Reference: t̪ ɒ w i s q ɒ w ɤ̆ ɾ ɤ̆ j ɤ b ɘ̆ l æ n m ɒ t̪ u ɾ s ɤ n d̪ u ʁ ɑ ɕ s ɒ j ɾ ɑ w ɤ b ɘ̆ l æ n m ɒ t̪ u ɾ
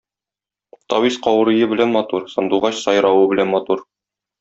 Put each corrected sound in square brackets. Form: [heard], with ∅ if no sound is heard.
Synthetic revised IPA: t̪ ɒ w i s q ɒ w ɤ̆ ɾ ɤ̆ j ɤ b ɘ̆ l æ n m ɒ t̪ u ɾ s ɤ n d̪ u ʁ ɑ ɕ s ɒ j ɾ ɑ w ɤ b ɘ̆ l æ n m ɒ t̪ u ɾ